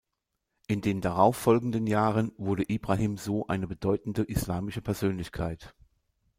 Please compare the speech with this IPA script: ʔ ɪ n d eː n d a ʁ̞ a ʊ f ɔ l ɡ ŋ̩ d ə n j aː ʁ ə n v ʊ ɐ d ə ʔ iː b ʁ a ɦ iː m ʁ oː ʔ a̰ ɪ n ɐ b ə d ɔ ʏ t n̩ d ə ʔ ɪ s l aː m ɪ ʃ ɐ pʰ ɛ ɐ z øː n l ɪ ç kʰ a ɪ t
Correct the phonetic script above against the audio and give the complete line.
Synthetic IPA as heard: ʔ ɪ n d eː n d a ʁ̞ a ʊ f ɔ l ɡ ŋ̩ d ə n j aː ʁ ə n v ʊ ɐ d ə ʔ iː b ʁ a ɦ iː m z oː ʔ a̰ ɪ n ə b ə d ɔ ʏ t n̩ d ə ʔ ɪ s l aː m ɪ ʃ ə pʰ ɛ ɐ z øː n l ɪ ç kʰ a ɪ t